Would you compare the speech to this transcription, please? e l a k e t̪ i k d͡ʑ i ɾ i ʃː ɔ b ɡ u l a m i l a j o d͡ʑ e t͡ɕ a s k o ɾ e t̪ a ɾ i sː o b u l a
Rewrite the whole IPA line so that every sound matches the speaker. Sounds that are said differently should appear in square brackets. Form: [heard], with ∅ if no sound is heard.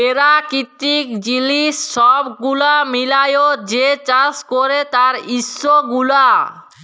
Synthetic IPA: e [ɾ] a k [i] t̪ i k d͡ʑ i [l] i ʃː ɔ b ɡ u l a m i l a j o d͡ʑ e t͡ɕ a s k o ɾ e t̪ a ɾ i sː o [ɡ] u l a